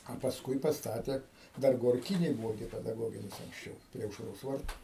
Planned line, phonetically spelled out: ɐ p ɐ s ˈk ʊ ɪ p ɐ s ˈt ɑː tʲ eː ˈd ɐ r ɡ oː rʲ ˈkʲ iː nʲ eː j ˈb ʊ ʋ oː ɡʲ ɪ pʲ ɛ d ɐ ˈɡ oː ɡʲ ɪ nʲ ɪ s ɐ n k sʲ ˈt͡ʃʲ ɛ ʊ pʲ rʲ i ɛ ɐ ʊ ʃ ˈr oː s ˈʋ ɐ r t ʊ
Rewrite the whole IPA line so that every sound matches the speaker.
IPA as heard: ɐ p ɐ s ˈk ʊ ɪ p ɐ s ˈt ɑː tʲ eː ˈd ɐ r ɡ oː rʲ ˈkʲ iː nʲ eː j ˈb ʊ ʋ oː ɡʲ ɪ pʲ ɛ d ɐ ˈɡ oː ɡʲ ɪ nʲ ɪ s ɐ ŋ k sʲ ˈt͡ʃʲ ɛ ʊ pʲ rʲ i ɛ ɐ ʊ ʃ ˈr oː s ˈʋ ɐ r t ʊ